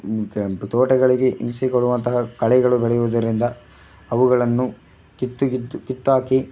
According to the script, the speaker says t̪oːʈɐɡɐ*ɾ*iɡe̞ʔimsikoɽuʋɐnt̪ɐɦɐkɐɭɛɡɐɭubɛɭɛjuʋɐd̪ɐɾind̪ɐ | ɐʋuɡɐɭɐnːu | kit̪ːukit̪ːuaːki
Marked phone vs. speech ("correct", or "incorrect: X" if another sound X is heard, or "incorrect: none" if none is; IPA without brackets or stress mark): incorrect: ɭ